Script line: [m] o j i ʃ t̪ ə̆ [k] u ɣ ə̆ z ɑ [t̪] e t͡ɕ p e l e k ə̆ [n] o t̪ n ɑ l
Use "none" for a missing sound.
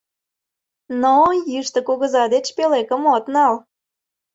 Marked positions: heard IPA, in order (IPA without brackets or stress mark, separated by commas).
n, k, d̪, m